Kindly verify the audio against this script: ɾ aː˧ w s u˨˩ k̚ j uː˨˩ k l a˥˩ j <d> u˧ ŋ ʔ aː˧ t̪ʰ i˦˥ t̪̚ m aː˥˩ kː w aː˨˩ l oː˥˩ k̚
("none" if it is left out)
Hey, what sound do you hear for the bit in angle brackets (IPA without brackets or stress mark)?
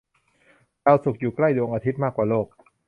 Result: d